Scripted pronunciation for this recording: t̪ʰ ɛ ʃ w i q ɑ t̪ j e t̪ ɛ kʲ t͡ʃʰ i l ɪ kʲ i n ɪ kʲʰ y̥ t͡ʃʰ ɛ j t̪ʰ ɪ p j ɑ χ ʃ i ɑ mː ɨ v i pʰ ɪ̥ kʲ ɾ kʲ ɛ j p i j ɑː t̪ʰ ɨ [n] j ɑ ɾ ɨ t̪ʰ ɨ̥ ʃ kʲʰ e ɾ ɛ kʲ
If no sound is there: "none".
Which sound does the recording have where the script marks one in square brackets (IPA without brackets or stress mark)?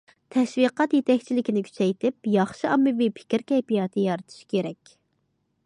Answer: none